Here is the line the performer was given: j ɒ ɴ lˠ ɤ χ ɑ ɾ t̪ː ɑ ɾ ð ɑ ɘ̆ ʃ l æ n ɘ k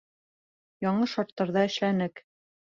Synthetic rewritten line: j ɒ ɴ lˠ ɤ ʃ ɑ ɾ t̪ː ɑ ɾ ð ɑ ɘ̆ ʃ l æ n ɘ k